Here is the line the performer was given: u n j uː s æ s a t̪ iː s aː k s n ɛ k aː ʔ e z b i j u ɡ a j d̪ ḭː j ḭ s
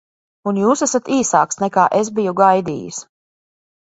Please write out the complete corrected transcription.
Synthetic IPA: u n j uː s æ s a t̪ iː s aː k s n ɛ k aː ʔ e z b i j u ɡ a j d̪ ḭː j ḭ s